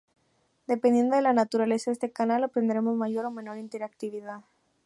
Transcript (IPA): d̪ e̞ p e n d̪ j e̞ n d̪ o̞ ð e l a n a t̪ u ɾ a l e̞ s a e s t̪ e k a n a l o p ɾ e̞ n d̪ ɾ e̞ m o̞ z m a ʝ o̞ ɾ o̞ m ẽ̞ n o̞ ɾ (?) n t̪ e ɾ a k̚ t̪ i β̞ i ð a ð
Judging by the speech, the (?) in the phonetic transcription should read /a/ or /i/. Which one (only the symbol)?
i